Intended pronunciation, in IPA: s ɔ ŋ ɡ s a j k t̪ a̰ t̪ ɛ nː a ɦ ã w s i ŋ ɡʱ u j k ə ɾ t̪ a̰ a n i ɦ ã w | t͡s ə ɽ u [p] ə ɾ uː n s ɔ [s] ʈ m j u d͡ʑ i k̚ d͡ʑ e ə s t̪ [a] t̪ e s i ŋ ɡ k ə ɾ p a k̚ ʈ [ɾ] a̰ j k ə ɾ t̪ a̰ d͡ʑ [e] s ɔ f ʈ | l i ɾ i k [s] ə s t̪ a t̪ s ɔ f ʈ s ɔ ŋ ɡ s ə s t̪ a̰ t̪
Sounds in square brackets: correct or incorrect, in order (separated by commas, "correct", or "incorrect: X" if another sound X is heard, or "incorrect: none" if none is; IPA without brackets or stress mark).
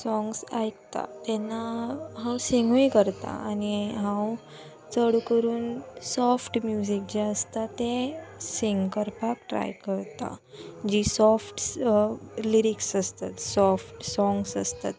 incorrect: k, incorrect: f, correct, correct, incorrect: i, correct